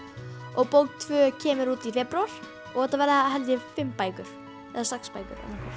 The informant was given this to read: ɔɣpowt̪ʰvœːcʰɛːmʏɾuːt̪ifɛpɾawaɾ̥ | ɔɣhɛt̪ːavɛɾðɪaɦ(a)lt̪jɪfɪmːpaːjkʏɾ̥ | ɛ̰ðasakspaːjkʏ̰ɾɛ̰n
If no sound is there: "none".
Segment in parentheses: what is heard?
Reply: ɛ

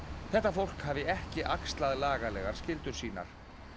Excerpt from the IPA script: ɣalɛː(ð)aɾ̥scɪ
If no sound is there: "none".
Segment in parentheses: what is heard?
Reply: ɣ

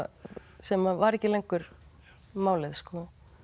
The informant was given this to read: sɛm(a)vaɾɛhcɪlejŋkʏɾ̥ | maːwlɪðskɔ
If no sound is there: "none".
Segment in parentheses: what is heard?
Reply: a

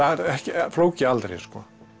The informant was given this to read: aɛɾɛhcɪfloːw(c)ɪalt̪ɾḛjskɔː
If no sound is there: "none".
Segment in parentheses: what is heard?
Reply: c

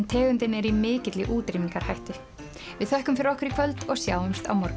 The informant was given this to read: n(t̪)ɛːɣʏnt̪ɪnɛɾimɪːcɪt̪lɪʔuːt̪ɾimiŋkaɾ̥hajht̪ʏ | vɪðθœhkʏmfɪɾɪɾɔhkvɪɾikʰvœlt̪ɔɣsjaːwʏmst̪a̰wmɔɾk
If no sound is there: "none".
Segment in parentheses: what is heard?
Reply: t̪ʰ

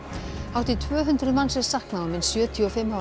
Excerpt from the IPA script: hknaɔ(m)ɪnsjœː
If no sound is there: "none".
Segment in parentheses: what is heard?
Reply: m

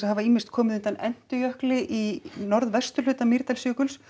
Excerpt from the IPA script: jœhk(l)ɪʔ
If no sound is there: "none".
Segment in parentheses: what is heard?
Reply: l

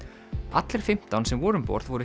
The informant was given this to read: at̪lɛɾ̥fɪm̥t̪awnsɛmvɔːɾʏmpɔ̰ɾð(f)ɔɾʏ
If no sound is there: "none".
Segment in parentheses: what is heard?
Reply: v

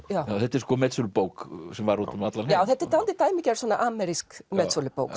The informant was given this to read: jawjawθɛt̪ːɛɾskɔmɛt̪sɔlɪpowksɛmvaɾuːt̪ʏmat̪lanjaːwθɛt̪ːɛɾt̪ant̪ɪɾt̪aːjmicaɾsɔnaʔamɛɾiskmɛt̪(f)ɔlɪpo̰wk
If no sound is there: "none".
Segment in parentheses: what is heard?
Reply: s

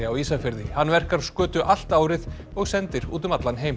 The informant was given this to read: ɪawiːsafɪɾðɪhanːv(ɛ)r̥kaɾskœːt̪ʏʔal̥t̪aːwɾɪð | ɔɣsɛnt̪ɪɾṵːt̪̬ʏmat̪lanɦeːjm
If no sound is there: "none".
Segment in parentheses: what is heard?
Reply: ɛ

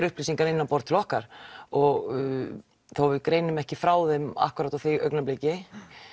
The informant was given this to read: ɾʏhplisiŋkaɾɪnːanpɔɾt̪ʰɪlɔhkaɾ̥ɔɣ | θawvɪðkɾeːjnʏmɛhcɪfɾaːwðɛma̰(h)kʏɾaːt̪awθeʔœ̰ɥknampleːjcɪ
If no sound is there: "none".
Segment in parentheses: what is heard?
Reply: h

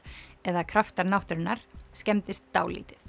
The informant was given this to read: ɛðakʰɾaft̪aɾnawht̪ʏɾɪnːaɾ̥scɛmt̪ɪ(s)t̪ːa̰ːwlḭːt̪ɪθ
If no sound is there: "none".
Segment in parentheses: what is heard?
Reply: s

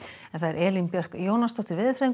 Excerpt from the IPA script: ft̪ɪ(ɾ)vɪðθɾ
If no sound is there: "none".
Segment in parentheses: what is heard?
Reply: ɾ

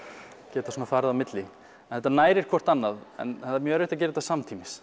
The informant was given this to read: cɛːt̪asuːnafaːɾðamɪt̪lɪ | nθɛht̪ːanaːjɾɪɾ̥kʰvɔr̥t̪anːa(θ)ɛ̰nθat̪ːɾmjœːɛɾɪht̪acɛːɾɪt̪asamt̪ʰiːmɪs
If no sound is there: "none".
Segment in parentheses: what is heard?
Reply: ð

